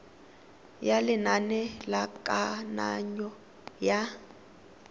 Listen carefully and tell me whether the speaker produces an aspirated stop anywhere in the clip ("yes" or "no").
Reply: no